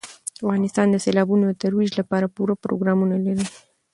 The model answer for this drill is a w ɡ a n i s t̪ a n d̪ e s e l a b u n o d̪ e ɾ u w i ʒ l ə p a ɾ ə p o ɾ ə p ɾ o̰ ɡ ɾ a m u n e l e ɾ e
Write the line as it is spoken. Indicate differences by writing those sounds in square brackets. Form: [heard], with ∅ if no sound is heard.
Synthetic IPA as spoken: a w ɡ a n i s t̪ a n d̪ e s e l a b u n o [t̪] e ɾ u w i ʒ l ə p a ɾ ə p [u] ɾ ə p ɾ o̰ ɡ ɾ a m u n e l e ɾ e